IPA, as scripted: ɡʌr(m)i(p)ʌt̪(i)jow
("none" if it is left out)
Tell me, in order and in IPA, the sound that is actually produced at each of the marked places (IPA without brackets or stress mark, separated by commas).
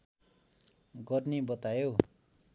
n, b, a